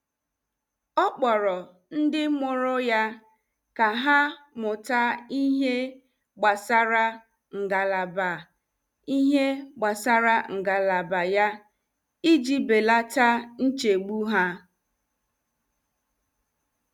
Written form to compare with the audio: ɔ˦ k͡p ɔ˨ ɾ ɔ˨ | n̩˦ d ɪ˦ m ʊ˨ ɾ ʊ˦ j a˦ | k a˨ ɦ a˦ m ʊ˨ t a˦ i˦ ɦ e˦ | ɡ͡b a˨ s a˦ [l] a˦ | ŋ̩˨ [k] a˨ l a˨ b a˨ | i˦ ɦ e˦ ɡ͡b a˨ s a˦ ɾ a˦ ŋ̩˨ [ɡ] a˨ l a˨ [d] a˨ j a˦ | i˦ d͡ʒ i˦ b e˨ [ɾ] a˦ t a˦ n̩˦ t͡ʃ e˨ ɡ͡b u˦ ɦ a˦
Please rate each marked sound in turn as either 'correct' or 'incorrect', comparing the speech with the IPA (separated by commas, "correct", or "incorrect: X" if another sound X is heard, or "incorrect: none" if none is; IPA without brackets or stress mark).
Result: incorrect: ɾ, incorrect: ɡ, correct, incorrect: b, incorrect: l